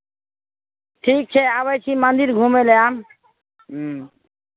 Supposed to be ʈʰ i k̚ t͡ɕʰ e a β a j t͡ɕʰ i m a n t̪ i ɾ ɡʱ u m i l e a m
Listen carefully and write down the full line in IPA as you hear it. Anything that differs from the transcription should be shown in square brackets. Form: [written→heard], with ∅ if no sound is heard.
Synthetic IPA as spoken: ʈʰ i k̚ t͡ɕʰ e a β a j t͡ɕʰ i m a n [t̪→d̪] i ɾ ɡʱ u m [i→e] l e a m